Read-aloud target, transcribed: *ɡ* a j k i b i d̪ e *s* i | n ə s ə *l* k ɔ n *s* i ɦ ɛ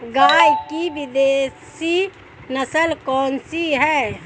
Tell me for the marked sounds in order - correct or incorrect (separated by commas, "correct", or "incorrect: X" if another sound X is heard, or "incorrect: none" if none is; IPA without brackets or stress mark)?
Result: correct, correct, correct, correct